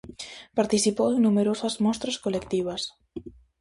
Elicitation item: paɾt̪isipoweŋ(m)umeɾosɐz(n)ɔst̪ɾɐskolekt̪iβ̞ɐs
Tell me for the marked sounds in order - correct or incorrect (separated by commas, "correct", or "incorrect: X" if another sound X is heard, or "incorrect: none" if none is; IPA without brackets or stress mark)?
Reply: incorrect: n, incorrect: m